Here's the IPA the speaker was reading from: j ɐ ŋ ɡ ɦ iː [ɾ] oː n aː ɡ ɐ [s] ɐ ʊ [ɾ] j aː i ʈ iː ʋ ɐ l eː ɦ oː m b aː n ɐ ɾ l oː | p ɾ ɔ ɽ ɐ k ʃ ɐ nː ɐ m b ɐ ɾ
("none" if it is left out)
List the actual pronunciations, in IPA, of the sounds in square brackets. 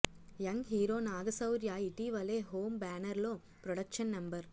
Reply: ɾ, s, ɾ

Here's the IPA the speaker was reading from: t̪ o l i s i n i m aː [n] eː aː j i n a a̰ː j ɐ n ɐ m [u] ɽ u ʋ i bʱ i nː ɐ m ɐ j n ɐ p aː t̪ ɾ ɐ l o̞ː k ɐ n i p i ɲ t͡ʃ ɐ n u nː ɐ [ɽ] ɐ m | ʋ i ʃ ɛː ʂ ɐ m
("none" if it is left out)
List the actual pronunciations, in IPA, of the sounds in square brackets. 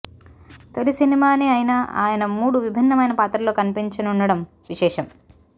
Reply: n, uː, ɽ

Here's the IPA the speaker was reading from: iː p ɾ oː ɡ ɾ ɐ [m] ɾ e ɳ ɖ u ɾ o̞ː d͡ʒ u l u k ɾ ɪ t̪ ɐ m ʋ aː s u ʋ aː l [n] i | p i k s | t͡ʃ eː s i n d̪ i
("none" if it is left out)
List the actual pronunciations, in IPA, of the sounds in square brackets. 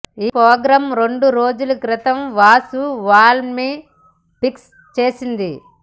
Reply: m, m

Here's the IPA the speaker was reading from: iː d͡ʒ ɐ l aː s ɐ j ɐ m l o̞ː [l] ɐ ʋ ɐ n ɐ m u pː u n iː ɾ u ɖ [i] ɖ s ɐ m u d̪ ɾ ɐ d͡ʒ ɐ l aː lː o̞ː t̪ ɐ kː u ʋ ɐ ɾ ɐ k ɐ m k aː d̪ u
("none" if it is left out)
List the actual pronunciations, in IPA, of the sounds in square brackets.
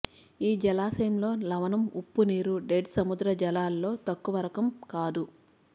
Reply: l, e

